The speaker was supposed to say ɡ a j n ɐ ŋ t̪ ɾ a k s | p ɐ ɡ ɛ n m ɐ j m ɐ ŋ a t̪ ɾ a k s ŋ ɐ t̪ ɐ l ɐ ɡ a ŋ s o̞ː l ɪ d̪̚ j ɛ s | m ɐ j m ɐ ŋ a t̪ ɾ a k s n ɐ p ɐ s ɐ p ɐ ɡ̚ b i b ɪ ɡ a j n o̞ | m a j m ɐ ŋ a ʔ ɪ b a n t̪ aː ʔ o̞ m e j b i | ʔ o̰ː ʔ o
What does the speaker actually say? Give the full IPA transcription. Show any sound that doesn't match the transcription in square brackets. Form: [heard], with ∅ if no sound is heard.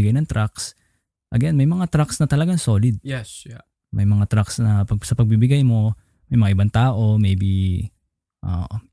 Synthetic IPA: ɡ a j n ɐ ŋ t̪ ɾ a k s | [ʔ] ɐ ɡ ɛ n m ɐ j m ɐ ŋ a t̪ ɾ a k s [n] ɐ t̪ ɐ l ɐ ɡ a ŋ s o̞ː l ɪ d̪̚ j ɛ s | m ɐ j m ɐ ŋ a t̪ ɾ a k s n ɐ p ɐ s ɐ p ɐ ɡ̚ b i b ɪ ɡ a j [m] o̞ | m [ɐ] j m ɐ ŋ a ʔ ɪ b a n t̪ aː ʔ o̞ m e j b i | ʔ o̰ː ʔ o